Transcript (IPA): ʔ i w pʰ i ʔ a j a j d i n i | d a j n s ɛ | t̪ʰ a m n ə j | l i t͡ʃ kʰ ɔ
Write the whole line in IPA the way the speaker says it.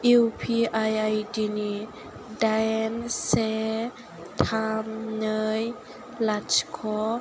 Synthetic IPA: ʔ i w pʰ i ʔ a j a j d i n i | d a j n s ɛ | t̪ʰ a m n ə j | l a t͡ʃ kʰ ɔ